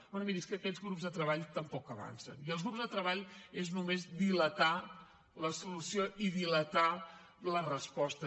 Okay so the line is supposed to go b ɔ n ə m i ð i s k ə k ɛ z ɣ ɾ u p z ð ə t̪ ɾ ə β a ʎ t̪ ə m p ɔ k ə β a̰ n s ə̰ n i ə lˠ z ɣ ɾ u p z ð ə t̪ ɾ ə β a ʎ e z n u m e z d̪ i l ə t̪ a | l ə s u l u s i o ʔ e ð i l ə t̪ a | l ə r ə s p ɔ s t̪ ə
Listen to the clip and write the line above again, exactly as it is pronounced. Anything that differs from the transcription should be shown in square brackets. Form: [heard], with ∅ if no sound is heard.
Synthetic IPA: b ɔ n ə m i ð i s k ə k ɛ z ɣ ɾ u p z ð ə t̪ ɾ ə β a ʎ t̪ ə m p ɔ k ə β a̰ n s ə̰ n i ə lˠ z ɣ ɾ u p z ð ə t̪ ɾ ə β a ʎ e z n u m e z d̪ i l ə t̪ a | l ə s u l u s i o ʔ [i] ð i l ə t̪ a | l ə r ə s p ɔ s t̪ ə